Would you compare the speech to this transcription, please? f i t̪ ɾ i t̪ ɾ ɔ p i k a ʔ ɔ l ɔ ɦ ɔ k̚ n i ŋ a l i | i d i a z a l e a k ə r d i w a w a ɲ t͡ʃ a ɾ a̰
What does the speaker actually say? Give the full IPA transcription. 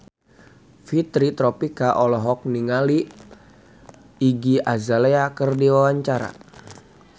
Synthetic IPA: f i t̪ ɾ i t̪ ɾ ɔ p i k a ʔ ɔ l ɔ ɦ ɔ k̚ n i ŋ a l i | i ɡ i a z a l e a k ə r d i w a w a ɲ t͡ʃ a ɾ a̰